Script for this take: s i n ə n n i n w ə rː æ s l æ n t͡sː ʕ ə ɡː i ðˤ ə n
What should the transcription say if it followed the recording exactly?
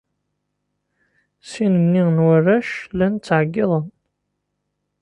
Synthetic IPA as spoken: s i n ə m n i n w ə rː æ ʃ l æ n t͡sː ʕ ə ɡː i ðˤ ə n